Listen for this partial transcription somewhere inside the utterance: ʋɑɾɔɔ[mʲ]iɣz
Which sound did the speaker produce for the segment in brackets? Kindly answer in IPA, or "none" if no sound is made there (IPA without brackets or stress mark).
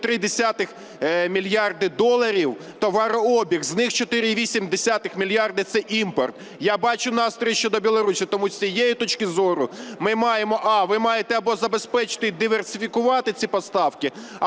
bʲ